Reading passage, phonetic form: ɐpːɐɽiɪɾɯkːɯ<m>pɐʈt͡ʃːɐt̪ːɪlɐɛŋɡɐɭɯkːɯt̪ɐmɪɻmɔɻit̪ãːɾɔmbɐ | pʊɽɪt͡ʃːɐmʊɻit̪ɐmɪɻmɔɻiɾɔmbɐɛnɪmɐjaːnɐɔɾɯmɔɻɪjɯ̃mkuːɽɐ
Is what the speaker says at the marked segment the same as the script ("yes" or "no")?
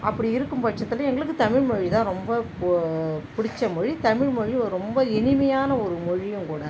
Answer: yes